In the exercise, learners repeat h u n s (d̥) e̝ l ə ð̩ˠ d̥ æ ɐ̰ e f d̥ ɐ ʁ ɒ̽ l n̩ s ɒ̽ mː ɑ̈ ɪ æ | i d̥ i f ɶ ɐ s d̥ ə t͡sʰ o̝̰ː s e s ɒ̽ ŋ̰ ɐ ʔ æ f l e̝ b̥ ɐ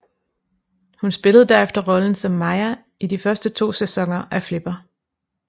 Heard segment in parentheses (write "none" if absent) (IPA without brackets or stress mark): b̥